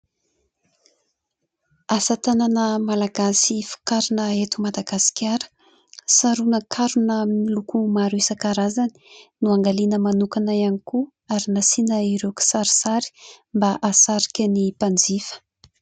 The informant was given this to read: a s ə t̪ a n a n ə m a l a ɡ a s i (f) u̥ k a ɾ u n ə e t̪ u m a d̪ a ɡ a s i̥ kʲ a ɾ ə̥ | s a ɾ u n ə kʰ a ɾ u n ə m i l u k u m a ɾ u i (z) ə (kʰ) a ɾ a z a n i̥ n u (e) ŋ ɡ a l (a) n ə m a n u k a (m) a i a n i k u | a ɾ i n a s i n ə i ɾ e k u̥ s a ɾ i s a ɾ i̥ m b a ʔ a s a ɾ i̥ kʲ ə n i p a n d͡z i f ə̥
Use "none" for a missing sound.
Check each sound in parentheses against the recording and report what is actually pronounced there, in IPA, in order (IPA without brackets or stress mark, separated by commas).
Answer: f, s, k, a, i, n